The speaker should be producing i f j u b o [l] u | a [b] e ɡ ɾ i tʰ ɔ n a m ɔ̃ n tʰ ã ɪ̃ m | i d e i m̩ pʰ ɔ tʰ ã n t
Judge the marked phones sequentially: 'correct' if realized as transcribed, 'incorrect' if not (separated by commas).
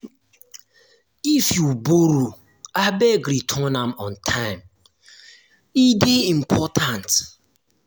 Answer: incorrect, correct